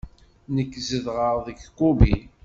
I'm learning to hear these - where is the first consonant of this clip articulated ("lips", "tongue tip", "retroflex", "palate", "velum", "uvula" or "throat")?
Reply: tongue tip